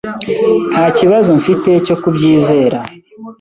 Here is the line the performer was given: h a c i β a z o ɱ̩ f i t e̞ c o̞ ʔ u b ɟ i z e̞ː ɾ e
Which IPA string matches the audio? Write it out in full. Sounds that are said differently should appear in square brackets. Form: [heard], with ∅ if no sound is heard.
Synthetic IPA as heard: h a c i β a z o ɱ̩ f i t e̞ c o̞ [k] u b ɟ [iː] z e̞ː ɾ [a]